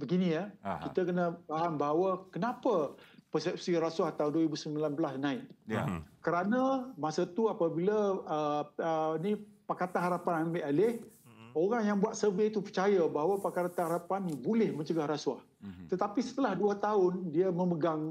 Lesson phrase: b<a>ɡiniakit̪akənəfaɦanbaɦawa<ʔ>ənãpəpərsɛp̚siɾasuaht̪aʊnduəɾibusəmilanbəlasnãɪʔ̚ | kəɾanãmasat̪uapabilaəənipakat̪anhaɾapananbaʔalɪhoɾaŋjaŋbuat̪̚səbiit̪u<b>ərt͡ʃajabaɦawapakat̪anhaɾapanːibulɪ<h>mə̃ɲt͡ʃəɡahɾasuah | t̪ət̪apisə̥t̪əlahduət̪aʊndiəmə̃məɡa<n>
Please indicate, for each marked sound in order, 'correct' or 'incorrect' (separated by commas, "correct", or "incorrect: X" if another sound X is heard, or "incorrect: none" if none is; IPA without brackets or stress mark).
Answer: incorrect: ə, incorrect: k, incorrect: p, correct, incorrect: ŋ